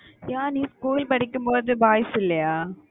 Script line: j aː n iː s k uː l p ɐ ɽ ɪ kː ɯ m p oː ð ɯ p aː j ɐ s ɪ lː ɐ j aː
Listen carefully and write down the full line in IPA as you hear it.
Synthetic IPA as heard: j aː n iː s k uː l p ɐ ɽ ɪ kː ɯ m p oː ð ɯ b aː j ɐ s ɪ lː ɐ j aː